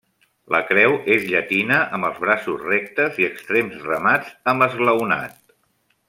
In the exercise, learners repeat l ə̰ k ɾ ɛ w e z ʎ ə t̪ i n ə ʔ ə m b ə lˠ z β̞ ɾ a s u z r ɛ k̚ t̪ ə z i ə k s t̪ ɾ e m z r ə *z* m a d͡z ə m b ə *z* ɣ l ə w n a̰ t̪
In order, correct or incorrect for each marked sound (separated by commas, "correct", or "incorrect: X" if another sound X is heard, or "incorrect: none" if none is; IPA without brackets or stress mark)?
incorrect: none, correct